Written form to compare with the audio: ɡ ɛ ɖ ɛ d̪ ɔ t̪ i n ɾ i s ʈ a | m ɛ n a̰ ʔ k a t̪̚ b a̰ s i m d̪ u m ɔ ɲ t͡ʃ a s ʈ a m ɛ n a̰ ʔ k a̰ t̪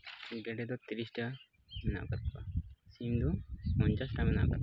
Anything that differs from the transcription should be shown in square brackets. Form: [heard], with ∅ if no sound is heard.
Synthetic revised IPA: ɡ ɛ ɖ ɛ d̪ ɔ t̪ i [∅] ɾ i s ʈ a | m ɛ n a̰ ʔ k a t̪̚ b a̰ s i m d̪ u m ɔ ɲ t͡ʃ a s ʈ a m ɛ n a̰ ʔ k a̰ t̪